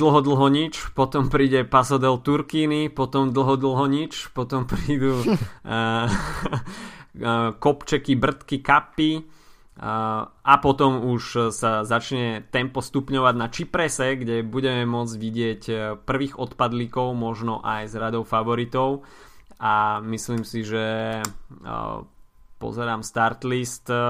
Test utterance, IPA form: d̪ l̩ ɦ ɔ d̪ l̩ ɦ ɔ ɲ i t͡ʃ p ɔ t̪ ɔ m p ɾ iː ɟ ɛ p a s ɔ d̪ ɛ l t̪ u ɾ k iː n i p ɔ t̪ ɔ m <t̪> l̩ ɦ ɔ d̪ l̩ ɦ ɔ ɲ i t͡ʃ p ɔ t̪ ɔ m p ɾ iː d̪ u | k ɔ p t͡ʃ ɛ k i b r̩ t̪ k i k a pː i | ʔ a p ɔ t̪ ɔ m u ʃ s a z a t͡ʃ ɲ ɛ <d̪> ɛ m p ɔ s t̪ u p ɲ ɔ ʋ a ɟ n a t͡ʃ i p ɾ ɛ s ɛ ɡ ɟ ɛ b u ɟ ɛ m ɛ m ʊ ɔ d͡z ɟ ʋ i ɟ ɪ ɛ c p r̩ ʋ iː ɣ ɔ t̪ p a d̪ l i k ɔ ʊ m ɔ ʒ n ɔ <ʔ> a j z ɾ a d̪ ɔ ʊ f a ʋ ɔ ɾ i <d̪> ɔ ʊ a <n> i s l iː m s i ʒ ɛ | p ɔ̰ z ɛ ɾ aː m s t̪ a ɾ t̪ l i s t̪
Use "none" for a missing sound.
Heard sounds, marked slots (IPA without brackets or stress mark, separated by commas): d̪, t̪, ʔ, t̪, m